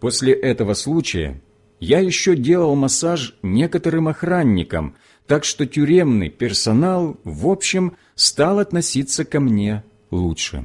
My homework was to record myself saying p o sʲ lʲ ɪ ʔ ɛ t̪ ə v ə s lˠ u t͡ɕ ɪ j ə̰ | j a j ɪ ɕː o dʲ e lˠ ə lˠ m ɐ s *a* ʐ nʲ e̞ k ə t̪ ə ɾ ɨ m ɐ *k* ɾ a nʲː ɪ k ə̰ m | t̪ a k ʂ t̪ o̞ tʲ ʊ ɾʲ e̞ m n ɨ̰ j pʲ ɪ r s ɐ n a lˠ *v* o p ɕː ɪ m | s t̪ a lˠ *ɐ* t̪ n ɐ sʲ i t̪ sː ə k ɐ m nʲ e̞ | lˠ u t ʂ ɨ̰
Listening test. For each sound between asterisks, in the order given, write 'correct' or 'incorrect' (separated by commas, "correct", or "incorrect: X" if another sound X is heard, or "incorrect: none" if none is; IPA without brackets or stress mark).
correct, incorrect: x, correct, correct